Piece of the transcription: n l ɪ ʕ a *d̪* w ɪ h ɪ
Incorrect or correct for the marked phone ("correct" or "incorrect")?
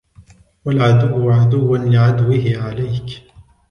correct